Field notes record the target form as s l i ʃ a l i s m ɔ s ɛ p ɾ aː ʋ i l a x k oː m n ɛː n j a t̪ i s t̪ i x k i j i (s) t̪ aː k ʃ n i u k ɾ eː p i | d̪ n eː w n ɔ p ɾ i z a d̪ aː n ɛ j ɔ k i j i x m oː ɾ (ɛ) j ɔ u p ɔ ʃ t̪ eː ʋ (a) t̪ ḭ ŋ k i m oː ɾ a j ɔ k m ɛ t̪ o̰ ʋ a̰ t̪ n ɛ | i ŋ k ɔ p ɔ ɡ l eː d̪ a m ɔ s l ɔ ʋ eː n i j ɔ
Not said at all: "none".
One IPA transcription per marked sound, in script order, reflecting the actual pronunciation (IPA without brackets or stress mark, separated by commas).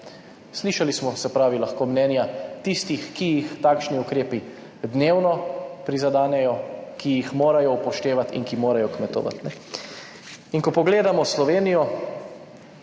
x, a, a